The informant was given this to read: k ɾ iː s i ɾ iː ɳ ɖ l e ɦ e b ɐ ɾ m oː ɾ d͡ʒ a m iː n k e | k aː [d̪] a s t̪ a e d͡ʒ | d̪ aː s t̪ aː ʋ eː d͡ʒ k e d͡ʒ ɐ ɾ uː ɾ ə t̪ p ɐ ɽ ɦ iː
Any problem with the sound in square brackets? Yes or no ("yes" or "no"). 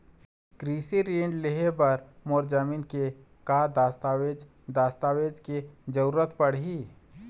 no